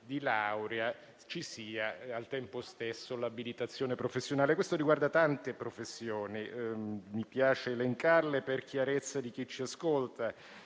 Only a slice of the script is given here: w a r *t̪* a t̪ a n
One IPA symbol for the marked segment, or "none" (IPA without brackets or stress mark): d̪